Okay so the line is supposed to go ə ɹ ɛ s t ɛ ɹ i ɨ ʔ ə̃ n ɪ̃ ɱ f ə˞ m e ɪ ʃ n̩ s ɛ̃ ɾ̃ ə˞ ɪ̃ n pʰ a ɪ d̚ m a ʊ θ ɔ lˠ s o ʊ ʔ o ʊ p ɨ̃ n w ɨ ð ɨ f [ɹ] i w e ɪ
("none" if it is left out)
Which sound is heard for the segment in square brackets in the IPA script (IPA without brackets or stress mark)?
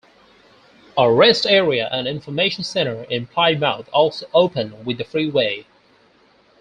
ɹ